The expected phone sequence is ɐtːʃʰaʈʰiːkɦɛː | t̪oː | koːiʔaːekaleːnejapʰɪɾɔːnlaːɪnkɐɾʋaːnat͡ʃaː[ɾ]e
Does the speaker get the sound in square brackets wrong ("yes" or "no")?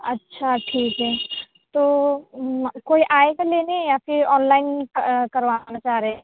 no